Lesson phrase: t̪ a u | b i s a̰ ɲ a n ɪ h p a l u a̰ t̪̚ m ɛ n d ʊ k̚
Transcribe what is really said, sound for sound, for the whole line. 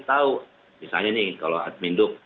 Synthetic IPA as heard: t̪ a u | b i s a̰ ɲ a n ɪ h k a l o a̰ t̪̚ m i n d ʊ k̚